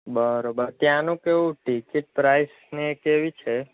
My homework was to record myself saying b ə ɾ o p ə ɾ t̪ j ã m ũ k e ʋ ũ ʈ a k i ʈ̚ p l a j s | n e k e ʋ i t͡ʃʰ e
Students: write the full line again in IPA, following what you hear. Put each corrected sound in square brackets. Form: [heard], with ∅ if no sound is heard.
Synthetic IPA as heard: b ə ɾ o [b] ə ɾ t̪ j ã [n] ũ k e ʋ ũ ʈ [i] k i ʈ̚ p [ɾ] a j s | n e k e ʋ i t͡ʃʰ e